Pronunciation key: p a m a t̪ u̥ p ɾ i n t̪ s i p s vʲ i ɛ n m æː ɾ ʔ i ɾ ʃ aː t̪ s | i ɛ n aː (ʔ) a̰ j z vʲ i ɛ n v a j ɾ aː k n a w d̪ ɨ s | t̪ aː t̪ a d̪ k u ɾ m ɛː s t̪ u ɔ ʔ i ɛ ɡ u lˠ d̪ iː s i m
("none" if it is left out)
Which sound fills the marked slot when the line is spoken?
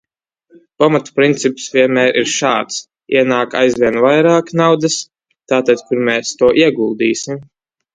k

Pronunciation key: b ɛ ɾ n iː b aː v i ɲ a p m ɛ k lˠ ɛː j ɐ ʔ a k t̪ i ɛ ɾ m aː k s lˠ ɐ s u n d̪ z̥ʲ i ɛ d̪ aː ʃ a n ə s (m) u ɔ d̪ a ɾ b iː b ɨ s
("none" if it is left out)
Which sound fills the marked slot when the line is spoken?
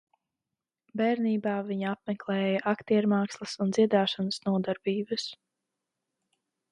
n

